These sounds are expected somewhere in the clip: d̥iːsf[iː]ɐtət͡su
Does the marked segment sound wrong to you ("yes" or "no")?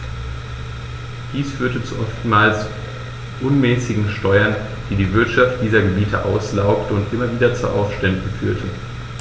yes